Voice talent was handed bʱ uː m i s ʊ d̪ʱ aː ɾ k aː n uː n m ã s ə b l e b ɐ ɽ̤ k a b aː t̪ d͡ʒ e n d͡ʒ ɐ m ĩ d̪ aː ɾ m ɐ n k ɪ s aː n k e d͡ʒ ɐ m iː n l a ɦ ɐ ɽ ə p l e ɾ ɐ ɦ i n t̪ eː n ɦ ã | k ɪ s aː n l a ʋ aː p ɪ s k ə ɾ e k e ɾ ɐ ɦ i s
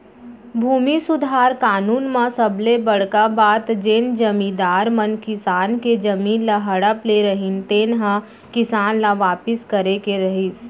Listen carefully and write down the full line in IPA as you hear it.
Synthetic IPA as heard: bʱ uː m i s ʊ d̪ʱ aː ɾ k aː n uː n m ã s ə b l e b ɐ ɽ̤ k a b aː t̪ d͡ʒ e n d͡ʒ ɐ m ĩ d̪ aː ɾ m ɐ n k ɪ s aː n k e d͡ʒ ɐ m iː n l a ɦ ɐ ɽ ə p l e ɾ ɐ ɦ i n t̪ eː n ɦ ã | k ɪ s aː n l a ʋ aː p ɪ s k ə ɾ e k e ɾ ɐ ɦ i s

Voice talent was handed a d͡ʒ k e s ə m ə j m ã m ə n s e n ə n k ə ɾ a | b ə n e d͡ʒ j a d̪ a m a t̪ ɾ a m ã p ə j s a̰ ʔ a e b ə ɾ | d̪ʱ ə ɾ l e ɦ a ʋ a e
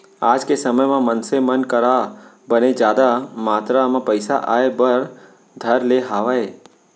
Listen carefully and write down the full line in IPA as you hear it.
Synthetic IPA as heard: a d͡ʒ k e s ə m ə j m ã m ə n s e m ə n k ə ɾ a | b ə n e d͡ʒ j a d̪ a m a t̪ ɾ a m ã p ə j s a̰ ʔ a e b ə ɾ | d̪ʱ ə ɾ l e ɦ a ʋ a e

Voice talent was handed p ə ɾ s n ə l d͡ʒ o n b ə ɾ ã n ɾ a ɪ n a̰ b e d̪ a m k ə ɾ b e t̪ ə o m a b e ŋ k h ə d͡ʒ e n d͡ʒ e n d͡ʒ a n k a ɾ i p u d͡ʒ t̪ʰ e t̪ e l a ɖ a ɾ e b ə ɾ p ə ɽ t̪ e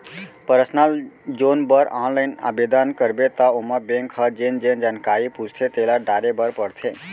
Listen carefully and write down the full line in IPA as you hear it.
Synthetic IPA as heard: p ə ɾ s n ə l d͡ʒ o n b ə ɾ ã n l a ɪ n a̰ b e d̪ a n k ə ɾ b e t̪ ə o m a b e ŋ k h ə d͡ʒ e n d͡ʒ e n d͡ʒ a n k a ɾ i p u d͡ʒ t̪ʰ e t̪ e l a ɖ a ɾ e b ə ɾ p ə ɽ t̪ʰ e

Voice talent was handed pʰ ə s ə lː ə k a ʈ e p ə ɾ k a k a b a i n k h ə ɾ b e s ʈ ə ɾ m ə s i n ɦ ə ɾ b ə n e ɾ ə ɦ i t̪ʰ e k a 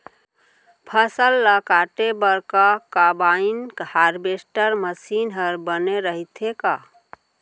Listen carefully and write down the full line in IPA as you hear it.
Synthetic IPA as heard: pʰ ə s ə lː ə k a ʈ e b ə ɾ k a k a b a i n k h a ɾ b e s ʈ ə ɾ m ə s i n ɦ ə ɾ b ə n e ɾ ə ɦ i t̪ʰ e k a

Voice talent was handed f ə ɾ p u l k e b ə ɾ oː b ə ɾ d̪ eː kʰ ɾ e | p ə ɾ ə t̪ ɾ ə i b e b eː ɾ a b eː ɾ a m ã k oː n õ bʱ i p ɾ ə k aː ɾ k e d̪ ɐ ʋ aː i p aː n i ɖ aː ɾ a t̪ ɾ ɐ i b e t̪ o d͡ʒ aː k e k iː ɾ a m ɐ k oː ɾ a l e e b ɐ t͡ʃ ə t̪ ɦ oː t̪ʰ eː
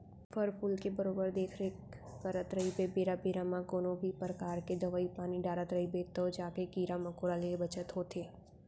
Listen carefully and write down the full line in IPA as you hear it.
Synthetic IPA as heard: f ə ɾ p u l k e b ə ɾ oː b ə ɾ d̪ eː kʰ ɾ e | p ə ɾ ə t̪ ɾ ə i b e b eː ɾ a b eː ɾ a m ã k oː n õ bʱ i p ɾ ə k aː ɾ k e d̪ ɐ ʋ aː i p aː n i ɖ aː ɾ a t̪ ɾ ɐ i b e t̪ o d͡ʒ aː k e k iː ɾ a m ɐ k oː ɾ a l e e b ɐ t͡ʃ ə t̪ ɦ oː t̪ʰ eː

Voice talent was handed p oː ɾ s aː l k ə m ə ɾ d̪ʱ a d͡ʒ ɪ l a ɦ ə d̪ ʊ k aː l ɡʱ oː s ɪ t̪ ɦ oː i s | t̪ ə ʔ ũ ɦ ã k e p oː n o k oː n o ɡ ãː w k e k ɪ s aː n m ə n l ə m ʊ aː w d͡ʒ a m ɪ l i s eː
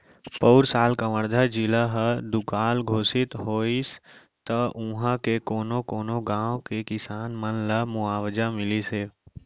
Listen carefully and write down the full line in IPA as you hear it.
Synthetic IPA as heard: p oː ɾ s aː l k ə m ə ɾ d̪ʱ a d͡ʒ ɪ l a ɦ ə d̪ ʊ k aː l ɡʱ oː s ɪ t̪ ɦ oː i s | t̪ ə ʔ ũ ɦ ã k e k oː n o k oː n o ɡ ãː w k e k ɪ s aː n m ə n l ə m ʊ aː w d͡ʒ a m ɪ l i s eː

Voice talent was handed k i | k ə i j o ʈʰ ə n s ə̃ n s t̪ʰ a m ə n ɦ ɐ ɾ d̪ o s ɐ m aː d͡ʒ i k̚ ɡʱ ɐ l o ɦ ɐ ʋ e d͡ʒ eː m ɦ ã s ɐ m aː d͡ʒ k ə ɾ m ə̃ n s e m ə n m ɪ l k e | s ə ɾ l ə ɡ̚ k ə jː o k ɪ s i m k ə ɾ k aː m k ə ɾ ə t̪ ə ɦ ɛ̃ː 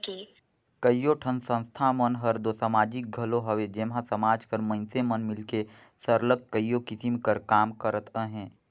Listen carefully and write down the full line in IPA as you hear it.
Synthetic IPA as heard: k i | k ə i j o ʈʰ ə n s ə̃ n s t̪ʰ a m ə n ɦ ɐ ɾ d̪ o s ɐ m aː d͡ʒ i k̚ ɡʱ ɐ l o ɦ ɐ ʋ e d͡ʒ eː m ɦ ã s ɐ m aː d͡ʒ k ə ɾ m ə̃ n s e m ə n m ɪ l k e | s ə ɾ l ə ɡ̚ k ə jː o k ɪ s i m k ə ɾ k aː m k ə ɾ ə t̪ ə ɦ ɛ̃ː

